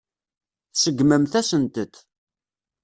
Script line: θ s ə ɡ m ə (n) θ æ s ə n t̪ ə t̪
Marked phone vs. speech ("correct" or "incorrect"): incorrect